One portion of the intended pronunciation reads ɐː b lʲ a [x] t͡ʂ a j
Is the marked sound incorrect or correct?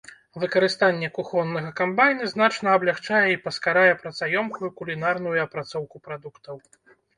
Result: correct